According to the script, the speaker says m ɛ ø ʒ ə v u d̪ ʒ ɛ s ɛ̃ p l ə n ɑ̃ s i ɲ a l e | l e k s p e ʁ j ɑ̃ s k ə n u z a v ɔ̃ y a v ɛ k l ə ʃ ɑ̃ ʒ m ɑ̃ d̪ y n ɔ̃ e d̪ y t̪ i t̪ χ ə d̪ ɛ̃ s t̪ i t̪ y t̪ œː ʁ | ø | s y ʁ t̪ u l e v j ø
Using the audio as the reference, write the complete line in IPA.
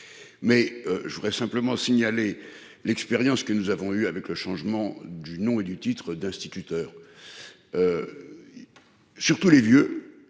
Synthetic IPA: m ɛ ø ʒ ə v u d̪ ʁ ɛ s ɛ̃ p l ə m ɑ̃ s i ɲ a l e | l ɛ k s p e ʁ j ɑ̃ s k ə n u z a v ɔ̃ y a v ɛ k l ə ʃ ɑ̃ ʒ m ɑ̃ d̪ y n ɔ̃ e d̪ y t̪ i t̪ χ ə d̪ ɛ̃ s t̪ i t̪ y t̪ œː ʁ | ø | s y ʁ t̪ u l e v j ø